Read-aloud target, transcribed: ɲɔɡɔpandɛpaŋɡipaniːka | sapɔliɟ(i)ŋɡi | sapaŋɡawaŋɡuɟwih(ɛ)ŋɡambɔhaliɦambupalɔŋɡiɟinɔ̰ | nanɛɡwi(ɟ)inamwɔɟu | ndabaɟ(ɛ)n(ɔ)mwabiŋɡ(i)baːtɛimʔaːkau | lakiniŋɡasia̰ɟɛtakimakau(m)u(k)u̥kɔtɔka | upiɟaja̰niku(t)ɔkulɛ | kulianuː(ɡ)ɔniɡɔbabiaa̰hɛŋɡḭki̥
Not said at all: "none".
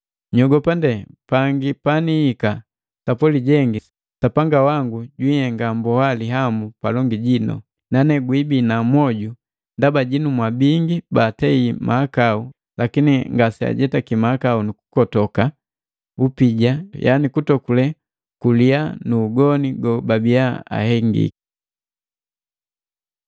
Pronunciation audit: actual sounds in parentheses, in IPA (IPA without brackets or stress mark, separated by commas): ɛ, ɛ, b, i, u, i, n, k, t, ɡ